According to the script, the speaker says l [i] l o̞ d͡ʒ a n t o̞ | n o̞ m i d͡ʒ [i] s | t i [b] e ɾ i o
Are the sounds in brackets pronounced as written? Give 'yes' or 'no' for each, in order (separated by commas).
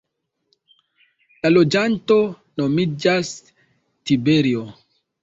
no, no, yes